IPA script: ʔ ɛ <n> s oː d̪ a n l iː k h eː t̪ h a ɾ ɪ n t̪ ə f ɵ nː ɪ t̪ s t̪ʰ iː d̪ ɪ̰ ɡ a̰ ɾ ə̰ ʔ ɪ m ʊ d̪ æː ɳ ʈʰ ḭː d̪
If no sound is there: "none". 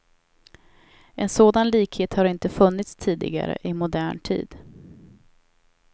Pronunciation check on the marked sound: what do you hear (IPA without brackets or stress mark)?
n